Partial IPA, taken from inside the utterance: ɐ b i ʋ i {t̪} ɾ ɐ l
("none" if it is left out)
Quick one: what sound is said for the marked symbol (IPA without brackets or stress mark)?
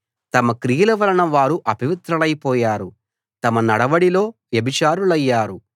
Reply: t̪